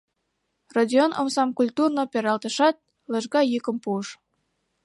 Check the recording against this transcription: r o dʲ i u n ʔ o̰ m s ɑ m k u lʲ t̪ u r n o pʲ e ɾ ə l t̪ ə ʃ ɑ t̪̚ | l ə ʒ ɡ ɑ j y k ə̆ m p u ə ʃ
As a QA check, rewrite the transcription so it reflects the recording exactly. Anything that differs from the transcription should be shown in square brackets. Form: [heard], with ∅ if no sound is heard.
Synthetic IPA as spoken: r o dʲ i [o] n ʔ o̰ m s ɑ m k u lʲ t̪ u r n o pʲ e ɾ [ɑ] l t̪ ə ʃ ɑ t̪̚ | l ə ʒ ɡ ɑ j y k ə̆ m p u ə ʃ